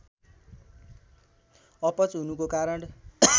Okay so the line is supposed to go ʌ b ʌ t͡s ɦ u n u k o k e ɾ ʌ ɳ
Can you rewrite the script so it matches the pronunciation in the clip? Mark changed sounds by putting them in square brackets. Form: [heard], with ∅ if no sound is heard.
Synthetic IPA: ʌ [p] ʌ t͡s ɦ u n u k o k [a] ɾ ʌ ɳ